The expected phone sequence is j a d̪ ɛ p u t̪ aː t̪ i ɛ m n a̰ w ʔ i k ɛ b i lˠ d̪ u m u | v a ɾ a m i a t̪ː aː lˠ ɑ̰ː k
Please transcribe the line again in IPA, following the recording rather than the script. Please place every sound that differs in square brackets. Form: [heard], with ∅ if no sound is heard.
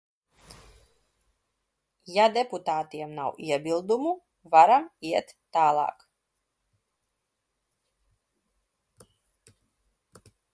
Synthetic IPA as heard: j a d̪ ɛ p u t̪ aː t̪ i ɛ m n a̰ w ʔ i [∅] ɛ b i lˠ d̪ u m u | v a ɾ a m i [ɛ] t̪ː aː lˠ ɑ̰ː k